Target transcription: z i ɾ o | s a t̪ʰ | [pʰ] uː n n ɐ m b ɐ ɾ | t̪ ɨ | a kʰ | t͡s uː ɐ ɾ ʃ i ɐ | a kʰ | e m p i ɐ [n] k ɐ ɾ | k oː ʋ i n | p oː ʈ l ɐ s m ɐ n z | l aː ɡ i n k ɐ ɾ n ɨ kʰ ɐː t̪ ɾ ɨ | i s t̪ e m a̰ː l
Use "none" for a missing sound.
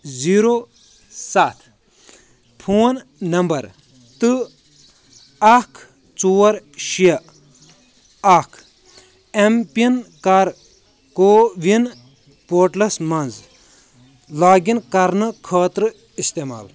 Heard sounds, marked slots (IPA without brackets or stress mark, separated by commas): pʰ, n